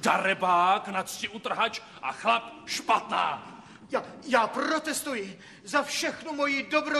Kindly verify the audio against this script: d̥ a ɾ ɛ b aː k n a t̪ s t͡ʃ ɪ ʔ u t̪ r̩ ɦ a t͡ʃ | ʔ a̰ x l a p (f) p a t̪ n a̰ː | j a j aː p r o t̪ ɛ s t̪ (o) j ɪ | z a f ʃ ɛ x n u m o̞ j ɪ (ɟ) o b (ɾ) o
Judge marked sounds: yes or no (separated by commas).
no, no, no, yes